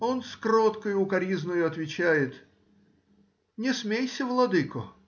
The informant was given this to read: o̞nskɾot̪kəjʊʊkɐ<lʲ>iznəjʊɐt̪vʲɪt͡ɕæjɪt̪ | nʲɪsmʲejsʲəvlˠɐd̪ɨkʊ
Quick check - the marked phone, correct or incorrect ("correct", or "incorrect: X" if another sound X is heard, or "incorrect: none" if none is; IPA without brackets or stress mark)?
incorrect: ɾʲ